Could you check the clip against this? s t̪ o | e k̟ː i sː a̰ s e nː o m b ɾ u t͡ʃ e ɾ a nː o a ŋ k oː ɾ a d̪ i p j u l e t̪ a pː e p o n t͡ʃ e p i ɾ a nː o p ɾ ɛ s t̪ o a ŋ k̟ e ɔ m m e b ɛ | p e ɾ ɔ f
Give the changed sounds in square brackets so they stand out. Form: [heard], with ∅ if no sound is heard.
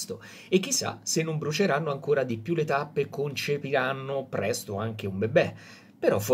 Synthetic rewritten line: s t̪ o | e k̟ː i sː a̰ s e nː o m b ɾ u t͡ʃ e ɾ a nː o a ŋ k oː ɾ a d̪ i p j u l e t̪ a pː e [k] o n t͡ʃ e p i ɾ a nː o p ɾ ɛ s t̪ o a ŋ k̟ e [u] m [b] e b ɛ | p e ɾ ɔ f

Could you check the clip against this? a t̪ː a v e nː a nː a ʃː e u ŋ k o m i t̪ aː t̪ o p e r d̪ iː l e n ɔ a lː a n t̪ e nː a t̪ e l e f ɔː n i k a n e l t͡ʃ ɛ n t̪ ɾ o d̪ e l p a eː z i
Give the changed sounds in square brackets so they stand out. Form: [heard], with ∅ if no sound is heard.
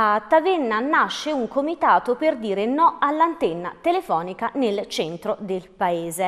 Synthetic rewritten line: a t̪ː a v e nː a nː a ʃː e u ŋ k o m i t̪ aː t̪ o p e r d̪ iː [ɾ] e n ɔ a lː a n t̪ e nː a t̪ e l e f ɔː n i k a n e l t͡ʃ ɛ n t̪ ɾ o d̪ e l p a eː z [e]

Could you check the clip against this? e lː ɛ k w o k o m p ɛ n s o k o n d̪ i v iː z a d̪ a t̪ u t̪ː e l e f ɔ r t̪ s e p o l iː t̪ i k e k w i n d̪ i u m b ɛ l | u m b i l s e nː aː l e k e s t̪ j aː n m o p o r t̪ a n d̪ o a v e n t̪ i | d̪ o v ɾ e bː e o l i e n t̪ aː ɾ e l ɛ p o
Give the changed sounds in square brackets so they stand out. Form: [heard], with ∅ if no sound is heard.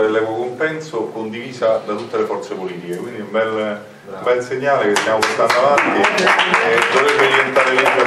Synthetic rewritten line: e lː ɛ k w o k o m p ɛ n s o k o n d̪ i v iː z a d̪ a t̪ u t̪ː e l e f ɔ r t̪ s e p o l iː t̪ i k e k w i n d̪ i u m b ɛ l | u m b [ɛ] l s e [ɲː] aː l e k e s t̪ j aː [∅] m o p o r t̪ a n d̪ o a v [a] n t̪ i | d̪ o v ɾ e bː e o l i e n t̪ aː ɾ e l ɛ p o

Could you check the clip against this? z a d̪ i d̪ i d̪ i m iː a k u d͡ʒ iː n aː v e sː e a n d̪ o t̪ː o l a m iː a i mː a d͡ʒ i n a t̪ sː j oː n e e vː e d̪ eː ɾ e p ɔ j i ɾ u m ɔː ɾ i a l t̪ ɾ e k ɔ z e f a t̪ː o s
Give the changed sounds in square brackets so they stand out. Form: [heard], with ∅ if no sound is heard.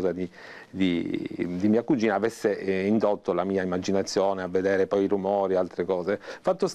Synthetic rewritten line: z a d̪ i d̪ i d̪ i m iː a k u d͡ʒ iː n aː v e sː e [i] n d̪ o t̪ː o l a m iː a i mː a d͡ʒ i n a t̪ sː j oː n e [a] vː e d̪ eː ɾ e p ɔ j i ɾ u m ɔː ɾ i a l t̪ ɾ e k [ɔː] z e f a t̪ː o s

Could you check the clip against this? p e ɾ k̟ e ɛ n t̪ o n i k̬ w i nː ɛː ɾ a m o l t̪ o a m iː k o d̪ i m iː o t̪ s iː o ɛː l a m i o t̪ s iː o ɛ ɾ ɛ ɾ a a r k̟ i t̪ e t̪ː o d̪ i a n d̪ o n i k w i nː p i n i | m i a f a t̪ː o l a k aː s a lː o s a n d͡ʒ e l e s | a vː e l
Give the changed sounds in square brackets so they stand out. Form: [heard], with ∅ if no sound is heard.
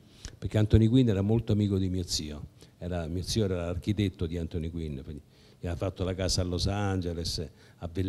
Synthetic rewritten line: p e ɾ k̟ e [a] n t̪ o n i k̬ w i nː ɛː ɾ a m o l t̪ o a m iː k o d̪ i m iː o t̪ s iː o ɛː [ɾ] a m i o t̪ s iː o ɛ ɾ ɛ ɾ a a r k̟ i t̪ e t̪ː o d̪ i a n [t̪] o n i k w i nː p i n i | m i a f a t̪ː o l a k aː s a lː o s a n d͡ʒ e l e s | a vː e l

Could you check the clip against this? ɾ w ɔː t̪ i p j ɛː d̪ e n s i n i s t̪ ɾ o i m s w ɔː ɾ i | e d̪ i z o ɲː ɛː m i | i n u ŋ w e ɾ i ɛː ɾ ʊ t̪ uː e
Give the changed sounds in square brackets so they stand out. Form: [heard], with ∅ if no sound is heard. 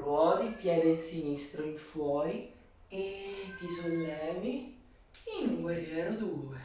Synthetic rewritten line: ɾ w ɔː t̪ i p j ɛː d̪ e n s i n i s t̪ ɾ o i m [f] w ɔː ɾ i | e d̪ i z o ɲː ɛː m i | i n u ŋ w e ɾ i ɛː ɾ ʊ [d̪] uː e

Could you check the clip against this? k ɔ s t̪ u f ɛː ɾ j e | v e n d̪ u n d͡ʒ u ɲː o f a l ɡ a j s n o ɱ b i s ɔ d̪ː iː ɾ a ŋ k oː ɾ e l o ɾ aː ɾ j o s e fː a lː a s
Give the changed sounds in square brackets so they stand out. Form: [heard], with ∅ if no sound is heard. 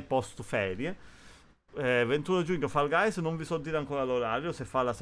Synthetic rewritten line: [p] ɔ s t̪ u f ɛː ɾ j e | v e n [t̪] u n d͡ʒ u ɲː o f a l ɡ a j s n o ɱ [v] i s ɔ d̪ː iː ɾ a ŋ k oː ɾ [a] l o ɾ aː ɾ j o s e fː a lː a s

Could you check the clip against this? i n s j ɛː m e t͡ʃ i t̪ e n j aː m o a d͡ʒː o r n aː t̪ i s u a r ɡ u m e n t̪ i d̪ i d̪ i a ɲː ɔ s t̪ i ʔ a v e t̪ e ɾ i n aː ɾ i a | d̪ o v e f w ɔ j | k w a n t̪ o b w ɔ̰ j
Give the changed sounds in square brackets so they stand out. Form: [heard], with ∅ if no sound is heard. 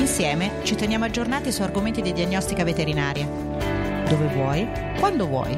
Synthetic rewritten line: i n s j ɛː m e t͡ʃ i t̪ e n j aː m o a d͡ʒː o r n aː t̪ i s u a r ɡ [o] m e n t̪ i d̪ i d̪ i a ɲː ɔ s t̪ i [k] a v e t̪ e ɾ i n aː ɾ [j] a | d̪ o v e [v] w ɔ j | k w a n [d̪] o [v] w ɔ̰ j

